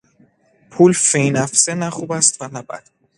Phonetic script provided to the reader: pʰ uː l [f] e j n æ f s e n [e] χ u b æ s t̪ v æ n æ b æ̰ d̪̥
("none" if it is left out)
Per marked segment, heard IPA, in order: f, æ

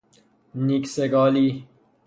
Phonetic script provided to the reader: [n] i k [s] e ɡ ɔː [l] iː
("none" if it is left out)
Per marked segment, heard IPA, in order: n, s, l

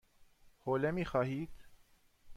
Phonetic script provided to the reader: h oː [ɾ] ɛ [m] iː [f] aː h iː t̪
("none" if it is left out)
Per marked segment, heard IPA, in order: l, m, x

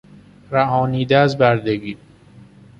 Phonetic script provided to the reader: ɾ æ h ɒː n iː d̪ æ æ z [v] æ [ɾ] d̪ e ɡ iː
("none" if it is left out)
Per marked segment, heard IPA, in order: b, ɾ

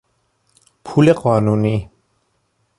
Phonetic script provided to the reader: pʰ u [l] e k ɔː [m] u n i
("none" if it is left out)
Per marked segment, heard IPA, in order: l, n

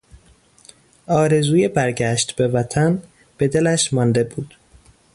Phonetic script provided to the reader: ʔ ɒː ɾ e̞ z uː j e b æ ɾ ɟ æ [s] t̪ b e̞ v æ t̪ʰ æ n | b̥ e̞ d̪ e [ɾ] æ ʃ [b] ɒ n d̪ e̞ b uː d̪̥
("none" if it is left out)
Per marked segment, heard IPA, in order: ʃ, l, m

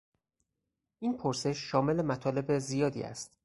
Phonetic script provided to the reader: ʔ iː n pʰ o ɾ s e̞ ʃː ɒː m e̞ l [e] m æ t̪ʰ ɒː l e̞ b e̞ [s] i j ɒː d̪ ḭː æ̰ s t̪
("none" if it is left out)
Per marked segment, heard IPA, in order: e, z

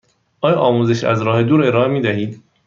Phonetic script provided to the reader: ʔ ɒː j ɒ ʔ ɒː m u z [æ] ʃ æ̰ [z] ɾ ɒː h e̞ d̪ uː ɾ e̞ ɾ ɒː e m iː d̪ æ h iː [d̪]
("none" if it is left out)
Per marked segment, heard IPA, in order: e, z, d̪

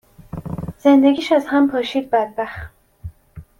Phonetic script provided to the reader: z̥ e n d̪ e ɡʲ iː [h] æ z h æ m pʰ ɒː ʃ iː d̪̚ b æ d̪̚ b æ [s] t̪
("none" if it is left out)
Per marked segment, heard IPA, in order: ʃ, x

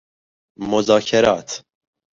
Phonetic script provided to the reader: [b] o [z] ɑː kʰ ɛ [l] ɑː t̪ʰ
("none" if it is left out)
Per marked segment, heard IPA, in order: m, z, ɾ

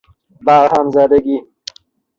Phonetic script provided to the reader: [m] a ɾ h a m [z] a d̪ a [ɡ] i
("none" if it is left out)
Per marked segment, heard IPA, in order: b, z, ɡ

